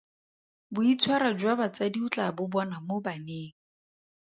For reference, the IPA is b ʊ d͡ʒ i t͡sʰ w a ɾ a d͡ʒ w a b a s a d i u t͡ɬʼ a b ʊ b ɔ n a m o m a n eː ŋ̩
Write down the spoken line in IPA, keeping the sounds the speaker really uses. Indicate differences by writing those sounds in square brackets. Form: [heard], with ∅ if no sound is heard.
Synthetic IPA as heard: b ʊ [∅] i t͡sʰ w a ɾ a d͡ʒ w a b a [t͡s] a d i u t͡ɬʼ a b ʊ b ɔ n a m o [b] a n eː ŋ̩